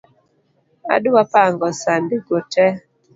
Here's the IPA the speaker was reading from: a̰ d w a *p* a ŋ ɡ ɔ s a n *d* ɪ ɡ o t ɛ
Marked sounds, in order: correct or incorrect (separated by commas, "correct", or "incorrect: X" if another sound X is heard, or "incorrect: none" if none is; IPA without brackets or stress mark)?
correct, correct